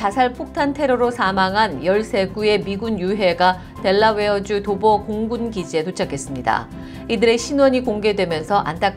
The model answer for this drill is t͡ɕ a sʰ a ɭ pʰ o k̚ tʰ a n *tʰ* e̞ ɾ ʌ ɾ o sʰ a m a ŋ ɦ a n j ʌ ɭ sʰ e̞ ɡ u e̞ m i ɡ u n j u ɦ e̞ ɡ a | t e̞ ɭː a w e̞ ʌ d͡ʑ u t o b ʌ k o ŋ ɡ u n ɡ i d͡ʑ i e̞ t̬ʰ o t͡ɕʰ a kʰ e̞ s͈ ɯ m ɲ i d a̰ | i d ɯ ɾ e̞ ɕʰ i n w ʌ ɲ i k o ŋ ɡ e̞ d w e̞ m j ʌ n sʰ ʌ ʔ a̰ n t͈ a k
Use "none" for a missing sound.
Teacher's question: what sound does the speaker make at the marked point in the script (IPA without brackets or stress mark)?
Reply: tʰ